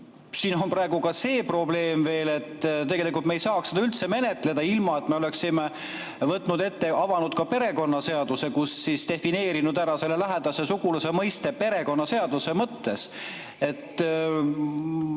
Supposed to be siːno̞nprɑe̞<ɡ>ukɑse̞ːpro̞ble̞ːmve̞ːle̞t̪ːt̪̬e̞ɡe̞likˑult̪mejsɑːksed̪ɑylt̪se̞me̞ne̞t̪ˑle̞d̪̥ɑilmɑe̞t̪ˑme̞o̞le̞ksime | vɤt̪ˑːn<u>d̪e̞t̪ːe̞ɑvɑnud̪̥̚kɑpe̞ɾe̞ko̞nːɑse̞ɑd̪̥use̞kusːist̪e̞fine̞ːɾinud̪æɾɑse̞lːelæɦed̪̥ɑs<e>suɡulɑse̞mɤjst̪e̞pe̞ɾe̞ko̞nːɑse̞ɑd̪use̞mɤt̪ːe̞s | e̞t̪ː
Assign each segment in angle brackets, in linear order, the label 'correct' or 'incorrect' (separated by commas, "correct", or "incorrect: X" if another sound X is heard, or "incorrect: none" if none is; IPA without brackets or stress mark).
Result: correct, correct, correct